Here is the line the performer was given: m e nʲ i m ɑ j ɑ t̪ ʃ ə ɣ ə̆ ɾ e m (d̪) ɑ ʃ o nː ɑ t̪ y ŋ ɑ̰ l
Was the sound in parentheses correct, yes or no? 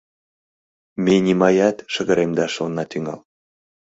yes